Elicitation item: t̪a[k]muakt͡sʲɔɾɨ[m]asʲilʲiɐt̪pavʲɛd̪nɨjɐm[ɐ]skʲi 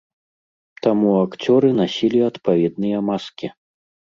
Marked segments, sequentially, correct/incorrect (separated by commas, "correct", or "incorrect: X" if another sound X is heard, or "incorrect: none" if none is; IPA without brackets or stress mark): incorrect: none, incorrect: n, incorrect: a